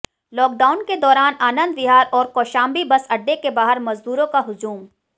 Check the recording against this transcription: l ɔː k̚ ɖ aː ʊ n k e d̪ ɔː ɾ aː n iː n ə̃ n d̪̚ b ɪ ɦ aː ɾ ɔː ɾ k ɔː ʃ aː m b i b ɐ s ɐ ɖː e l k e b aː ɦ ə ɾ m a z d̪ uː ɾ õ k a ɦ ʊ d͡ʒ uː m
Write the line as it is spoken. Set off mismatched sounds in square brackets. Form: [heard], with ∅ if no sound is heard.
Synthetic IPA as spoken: l ɔː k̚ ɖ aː ʊ n k e d̪ ɔː ɾ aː n [aː] n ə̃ n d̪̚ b ɪ ɦ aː ɾ ɔː ɾ k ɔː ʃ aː m b i b ɐ s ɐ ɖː e [∅] k e b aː ɦ ə ɾ m [ɐ] z d̪ uː ɾ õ k a ɦ ʊ d͡ʒ uː m